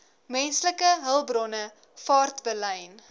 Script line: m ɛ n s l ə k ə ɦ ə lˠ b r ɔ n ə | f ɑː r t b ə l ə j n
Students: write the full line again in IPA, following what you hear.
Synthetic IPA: m ɛ n s l ə k ə ɦ ə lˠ b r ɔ n ə | f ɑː r t b ə l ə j n